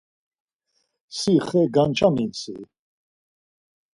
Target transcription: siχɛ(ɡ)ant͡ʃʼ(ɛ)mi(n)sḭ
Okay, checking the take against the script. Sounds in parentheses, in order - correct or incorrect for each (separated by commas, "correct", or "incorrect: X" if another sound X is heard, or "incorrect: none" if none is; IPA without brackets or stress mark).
correct, incorrect: a, correct